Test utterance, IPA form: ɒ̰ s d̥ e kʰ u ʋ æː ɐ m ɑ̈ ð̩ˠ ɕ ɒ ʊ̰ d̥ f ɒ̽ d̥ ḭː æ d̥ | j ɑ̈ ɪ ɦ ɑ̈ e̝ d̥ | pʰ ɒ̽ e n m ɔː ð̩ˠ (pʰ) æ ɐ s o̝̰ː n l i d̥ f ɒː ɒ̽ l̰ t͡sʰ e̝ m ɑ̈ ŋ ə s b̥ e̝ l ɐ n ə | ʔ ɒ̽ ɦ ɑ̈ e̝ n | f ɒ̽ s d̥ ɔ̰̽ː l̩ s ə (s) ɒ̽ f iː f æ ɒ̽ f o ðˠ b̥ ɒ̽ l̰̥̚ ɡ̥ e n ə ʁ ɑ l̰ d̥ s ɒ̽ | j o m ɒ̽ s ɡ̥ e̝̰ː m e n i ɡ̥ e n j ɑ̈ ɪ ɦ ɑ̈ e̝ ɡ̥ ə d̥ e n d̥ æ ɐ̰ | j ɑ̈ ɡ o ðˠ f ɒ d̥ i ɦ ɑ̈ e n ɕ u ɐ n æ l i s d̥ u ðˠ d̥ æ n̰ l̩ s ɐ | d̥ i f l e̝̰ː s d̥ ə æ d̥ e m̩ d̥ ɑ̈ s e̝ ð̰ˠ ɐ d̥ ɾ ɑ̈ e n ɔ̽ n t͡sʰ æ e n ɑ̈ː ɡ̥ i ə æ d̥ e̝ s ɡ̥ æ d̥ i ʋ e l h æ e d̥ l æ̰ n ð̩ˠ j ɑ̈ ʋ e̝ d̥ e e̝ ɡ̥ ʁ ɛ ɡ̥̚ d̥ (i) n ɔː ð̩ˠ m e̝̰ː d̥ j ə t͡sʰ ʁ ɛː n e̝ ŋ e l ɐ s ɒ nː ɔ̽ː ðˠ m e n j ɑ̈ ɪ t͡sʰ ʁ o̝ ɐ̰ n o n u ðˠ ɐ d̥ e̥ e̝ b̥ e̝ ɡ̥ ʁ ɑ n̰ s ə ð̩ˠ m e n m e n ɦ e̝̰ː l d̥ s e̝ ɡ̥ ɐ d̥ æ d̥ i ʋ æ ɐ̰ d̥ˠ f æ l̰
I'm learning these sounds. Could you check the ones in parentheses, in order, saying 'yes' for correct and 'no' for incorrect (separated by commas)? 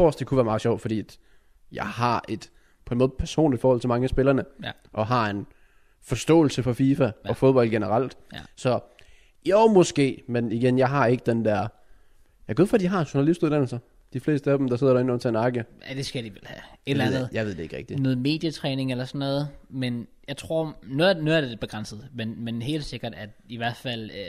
yes, no, yes